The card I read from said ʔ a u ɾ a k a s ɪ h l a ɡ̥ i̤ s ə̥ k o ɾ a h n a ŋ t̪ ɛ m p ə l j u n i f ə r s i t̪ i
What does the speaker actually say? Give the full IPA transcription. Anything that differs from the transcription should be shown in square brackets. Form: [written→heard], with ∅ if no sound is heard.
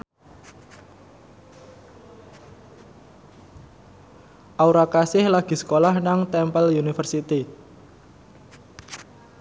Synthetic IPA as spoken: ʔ a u ɾ a k a s ɪ h l a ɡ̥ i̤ s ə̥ k o [ɾ→l] a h n a ŋ t̪ ɛ m p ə l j u n i f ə r s i t̪ i